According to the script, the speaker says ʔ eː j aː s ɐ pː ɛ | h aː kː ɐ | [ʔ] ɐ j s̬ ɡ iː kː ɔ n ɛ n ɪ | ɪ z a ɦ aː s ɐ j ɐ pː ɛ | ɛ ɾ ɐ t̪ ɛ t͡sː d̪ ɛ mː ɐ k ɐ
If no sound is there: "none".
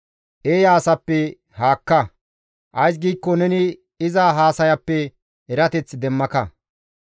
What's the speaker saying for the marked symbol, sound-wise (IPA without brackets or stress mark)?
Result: ʔ